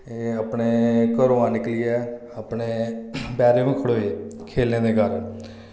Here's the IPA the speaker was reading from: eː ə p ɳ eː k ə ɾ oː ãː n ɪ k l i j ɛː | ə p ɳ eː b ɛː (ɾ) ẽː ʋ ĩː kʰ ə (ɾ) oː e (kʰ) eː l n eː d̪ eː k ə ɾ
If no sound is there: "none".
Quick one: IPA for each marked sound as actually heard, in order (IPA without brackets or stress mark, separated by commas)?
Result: ɾ, ɽ, kʰ